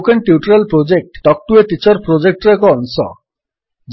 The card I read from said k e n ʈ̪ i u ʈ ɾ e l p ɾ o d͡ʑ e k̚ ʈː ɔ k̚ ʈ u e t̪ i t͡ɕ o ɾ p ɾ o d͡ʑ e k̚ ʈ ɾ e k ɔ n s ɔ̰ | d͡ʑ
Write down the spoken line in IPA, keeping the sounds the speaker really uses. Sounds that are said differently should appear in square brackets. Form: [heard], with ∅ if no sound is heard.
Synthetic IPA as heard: k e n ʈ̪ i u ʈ ɾ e l p ɾ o d͡ʑ e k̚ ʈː ɔ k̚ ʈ u e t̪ i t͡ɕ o ɾ p ɾ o d͡ʑ e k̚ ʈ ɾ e k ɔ n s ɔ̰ | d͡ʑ